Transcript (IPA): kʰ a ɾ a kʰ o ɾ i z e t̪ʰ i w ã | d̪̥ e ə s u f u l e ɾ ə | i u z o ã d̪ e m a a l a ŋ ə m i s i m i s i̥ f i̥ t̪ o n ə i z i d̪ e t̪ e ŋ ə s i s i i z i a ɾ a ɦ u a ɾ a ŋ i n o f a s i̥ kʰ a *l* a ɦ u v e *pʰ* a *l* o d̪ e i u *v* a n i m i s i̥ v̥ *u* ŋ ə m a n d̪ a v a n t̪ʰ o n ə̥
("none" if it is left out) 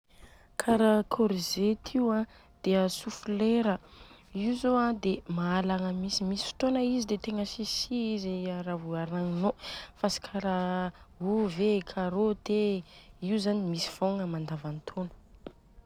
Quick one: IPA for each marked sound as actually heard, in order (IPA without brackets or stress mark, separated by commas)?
ɾ, kʰ, ɾ, z, o